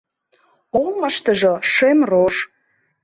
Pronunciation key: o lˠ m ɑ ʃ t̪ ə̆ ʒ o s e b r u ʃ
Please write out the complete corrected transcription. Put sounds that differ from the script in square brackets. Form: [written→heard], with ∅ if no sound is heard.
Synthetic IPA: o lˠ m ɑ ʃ t̪ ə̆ ʒ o [s→ʃ] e [b→m] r [u→o] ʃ